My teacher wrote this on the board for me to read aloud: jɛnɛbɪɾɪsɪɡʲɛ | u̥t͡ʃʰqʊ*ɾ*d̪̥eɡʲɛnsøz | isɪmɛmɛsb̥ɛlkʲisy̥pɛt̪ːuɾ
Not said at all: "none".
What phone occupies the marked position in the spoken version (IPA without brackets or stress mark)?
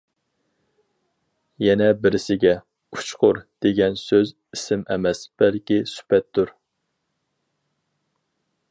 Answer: ɾ